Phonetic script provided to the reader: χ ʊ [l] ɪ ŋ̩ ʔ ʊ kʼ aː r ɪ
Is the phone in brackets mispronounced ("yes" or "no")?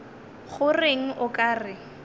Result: yes